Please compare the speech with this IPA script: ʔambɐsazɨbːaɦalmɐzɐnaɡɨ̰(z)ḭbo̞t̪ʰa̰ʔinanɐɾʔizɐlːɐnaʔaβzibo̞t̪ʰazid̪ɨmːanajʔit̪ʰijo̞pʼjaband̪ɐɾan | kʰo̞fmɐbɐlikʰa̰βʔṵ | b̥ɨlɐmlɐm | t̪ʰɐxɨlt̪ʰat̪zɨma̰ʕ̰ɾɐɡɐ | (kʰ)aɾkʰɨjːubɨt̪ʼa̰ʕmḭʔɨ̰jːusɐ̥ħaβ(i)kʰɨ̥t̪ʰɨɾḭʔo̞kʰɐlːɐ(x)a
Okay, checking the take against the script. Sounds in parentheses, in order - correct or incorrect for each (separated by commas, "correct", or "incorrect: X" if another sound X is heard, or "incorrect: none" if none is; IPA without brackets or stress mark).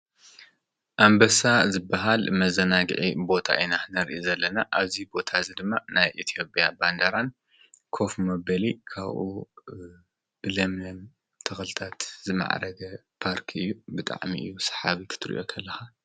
incorrect: ʕ, incorrect: pʰ, correct, correct